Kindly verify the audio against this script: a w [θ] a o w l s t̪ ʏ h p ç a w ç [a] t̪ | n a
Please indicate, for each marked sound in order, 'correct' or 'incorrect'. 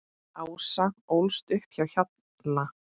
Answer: incorrect, correct

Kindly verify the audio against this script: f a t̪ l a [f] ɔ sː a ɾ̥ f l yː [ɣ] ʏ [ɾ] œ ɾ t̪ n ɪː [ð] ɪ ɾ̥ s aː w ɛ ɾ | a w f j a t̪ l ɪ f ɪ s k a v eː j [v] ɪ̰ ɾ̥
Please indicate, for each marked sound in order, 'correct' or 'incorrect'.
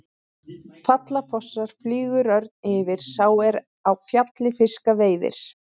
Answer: correct, correct, correct, incorrect, incorrect

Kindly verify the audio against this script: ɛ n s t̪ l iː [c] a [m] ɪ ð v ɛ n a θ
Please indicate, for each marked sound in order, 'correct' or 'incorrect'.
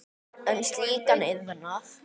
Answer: incorrect, incorrect

